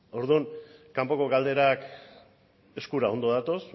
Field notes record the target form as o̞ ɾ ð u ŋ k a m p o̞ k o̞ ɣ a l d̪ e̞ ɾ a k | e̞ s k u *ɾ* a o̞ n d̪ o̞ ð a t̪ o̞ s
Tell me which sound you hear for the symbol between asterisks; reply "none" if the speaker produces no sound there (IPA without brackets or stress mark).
ɾ